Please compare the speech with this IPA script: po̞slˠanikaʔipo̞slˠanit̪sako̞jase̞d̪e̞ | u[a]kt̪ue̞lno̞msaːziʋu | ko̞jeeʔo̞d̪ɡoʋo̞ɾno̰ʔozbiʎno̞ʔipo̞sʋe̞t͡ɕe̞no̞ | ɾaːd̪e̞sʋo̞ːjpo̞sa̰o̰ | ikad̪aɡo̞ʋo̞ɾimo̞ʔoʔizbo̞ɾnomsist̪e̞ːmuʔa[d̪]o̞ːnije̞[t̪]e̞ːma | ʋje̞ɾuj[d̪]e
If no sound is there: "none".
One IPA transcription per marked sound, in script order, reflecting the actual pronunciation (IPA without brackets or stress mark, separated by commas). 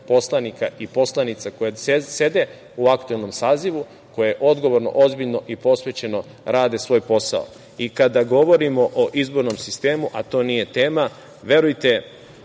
a, t̪, t̪, t̪